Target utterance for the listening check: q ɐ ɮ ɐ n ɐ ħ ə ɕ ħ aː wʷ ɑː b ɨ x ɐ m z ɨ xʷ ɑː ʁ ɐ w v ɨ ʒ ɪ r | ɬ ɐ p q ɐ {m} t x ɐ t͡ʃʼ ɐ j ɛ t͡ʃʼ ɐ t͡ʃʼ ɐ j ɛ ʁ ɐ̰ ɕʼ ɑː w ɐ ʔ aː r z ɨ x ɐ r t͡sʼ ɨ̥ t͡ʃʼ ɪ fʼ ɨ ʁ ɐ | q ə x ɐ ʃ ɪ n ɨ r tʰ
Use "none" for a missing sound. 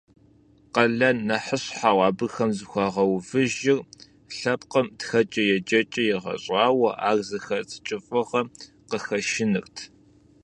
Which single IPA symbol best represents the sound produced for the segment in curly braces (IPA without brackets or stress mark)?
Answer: m